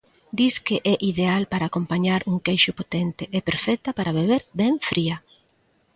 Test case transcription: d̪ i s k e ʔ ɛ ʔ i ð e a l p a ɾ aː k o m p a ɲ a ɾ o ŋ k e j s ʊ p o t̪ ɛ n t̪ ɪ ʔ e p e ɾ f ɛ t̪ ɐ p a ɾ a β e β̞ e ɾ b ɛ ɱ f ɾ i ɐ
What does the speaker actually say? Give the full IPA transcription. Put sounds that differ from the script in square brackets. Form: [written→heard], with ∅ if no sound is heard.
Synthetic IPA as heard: d̪ i s k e ʔ ɛ ʔ i ð e a l p a ɾ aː k o m p a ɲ a ɾ [o→u] ŋ k e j [s→ʃ] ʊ p o t̪ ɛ n t̪ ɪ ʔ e p e ɾ f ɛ t̪ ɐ p a ɾ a β e β̞ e ɾ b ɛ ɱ f ɾ i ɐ